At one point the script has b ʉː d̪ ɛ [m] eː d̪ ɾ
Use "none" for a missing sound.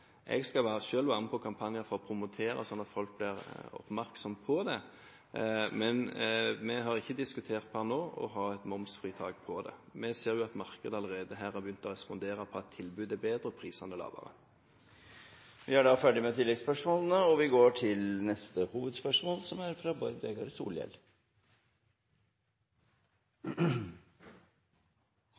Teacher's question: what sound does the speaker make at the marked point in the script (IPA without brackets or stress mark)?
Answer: b